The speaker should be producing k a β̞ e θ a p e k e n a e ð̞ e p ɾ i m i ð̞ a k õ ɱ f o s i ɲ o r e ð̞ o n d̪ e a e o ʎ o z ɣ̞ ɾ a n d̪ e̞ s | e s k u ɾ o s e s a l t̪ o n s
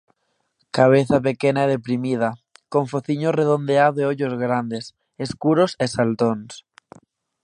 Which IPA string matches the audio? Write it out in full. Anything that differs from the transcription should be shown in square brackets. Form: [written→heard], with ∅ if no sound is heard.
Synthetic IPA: k a β̞ e θ a p e k e n a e ð̞ e p ɾ i m i ð̞ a k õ ɱ f o [s→θ] i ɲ o r e ð̞ o n d̪ e a e o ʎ o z ɣ̞ ɾ a n d̪ e̞ s | e s k u ɾ o s e s a l t̪ o n s